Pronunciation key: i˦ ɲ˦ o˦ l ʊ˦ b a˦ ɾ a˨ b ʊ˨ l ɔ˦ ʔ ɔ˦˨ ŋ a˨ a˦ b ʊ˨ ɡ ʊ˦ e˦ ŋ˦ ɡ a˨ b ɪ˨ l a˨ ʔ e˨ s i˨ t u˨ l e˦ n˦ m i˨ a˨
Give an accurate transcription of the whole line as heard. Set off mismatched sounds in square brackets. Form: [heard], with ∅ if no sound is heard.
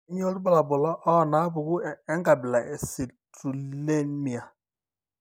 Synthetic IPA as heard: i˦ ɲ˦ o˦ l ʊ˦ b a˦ [l] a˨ b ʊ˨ l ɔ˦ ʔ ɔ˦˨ [n] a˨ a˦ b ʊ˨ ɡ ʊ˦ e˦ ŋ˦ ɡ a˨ b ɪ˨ l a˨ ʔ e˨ s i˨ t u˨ l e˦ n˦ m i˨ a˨